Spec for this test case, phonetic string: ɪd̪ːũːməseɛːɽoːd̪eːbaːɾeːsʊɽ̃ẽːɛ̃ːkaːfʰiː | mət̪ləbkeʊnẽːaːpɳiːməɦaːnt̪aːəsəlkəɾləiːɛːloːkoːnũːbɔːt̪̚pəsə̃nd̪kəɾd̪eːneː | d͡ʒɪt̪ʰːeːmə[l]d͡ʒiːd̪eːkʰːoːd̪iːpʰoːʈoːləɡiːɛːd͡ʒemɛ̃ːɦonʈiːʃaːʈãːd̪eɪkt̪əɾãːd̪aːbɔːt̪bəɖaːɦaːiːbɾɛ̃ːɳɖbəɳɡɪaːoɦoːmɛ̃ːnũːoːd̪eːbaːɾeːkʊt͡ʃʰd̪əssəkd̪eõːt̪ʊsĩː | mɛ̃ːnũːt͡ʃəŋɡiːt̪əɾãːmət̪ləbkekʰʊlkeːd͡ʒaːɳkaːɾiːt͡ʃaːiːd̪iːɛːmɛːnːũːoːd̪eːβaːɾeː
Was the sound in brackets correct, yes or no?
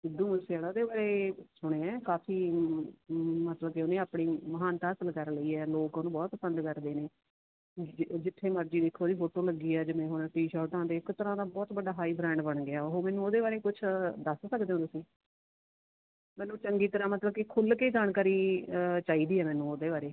no